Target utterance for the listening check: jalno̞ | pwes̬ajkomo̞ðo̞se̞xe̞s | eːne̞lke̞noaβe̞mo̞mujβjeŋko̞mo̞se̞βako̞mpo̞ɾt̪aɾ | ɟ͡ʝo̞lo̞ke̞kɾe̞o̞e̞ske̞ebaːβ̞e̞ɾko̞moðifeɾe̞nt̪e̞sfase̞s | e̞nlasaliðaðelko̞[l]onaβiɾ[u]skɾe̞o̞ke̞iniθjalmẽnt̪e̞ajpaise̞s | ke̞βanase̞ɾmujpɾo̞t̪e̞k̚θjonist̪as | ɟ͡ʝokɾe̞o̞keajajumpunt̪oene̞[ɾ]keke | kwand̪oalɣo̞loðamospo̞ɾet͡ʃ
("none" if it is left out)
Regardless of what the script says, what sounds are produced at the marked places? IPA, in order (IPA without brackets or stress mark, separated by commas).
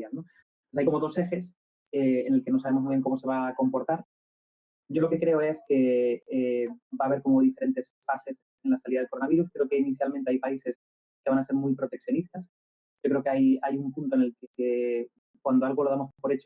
ɾ, u, l